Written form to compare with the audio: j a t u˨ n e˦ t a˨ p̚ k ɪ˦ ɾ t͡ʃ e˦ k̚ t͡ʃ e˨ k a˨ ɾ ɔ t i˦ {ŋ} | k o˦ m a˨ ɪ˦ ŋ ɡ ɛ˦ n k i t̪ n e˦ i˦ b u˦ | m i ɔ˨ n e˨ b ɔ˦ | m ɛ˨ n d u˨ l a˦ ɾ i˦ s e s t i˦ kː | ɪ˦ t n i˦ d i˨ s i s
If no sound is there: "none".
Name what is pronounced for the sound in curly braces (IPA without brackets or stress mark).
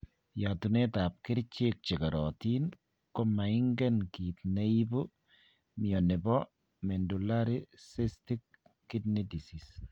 n